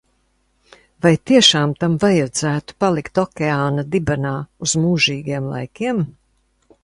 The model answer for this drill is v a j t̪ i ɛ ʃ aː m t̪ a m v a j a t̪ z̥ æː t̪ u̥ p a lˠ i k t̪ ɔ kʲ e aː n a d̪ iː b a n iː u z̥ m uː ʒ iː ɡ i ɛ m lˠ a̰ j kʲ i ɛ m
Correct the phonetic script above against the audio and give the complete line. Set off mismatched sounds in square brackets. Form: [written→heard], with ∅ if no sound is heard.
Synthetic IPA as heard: v a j t̪ i ɛ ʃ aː m t̪ a m v a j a [t̪→d̪] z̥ æː t̪ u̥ p a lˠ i k t̪ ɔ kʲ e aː n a d̪ [iː→i] b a n [iː→aː] u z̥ m uː ʒ iː ɡ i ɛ m lˠ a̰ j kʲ i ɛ m